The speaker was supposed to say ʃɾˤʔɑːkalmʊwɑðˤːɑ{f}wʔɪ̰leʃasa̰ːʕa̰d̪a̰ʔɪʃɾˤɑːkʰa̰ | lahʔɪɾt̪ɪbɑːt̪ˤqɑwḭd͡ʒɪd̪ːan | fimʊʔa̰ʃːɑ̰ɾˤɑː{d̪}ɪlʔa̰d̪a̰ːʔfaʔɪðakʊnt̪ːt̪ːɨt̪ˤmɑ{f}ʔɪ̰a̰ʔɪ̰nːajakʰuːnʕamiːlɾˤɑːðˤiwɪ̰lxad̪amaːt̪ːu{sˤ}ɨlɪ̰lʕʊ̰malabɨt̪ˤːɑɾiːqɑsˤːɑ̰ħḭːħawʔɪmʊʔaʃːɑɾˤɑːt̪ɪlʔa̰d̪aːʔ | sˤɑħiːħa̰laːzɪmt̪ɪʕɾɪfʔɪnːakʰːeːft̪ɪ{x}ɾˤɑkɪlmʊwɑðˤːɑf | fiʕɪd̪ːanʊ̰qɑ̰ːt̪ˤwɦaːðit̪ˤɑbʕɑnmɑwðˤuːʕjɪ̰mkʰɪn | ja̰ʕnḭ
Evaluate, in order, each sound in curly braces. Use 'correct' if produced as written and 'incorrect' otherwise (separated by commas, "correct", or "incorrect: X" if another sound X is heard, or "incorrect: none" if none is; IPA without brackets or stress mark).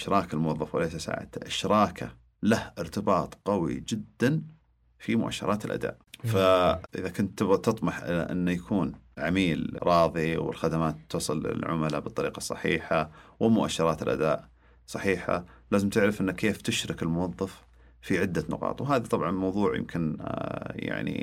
correct, incorrect: t̪, incorrect: ħ, correct, incorrect: ʃ